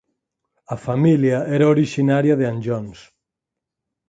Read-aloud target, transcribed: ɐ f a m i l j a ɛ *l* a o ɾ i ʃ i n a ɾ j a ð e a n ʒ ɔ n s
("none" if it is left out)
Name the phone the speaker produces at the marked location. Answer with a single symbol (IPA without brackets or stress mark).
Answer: ɾ